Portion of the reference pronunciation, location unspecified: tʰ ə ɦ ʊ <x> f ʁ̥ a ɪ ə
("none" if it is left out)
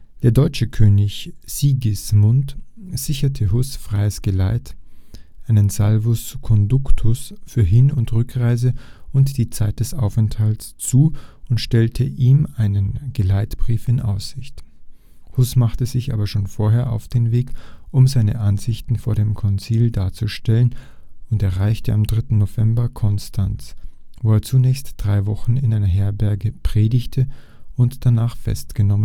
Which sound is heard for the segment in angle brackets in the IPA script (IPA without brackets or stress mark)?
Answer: s